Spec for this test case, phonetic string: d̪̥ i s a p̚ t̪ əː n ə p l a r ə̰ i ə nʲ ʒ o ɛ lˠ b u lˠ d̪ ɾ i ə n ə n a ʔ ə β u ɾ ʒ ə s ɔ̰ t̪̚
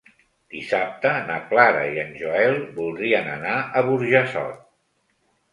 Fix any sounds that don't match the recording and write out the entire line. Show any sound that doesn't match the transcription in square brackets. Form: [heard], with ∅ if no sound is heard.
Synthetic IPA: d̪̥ i s a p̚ t̪ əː n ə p l a [ɾ] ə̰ i ə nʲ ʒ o ɛ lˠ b u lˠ d̪ ɾ i ə n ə n a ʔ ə β u ɾ ʒ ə s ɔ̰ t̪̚